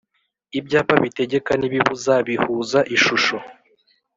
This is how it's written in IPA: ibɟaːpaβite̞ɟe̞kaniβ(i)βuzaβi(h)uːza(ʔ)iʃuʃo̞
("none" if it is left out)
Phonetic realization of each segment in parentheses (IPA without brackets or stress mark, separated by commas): i, h, ʔ